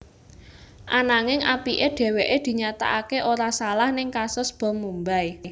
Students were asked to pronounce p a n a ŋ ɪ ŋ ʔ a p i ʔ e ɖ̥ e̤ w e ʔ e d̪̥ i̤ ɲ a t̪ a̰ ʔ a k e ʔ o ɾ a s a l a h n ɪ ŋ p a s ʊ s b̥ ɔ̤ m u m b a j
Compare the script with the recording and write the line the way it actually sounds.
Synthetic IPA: ʔ a n a ŋ ɪ ŋ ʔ a p i ʔ e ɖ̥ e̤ w e ʔ e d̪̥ i̤ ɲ a t̪ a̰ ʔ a k e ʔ o ɾ a s a l a h n ɪ ŋ k a s ʊ s b̥ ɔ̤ m u m b a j